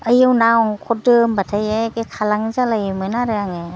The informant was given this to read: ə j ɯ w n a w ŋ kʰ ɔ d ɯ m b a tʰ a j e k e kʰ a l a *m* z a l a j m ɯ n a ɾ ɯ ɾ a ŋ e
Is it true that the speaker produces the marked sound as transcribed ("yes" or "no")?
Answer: no